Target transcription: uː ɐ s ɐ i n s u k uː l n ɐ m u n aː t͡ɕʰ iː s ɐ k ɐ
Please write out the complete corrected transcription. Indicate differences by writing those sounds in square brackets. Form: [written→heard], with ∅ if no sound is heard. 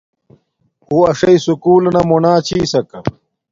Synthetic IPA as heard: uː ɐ [s→ʂ] ɐ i [n→∅] s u k uː l n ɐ m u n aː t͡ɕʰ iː s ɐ k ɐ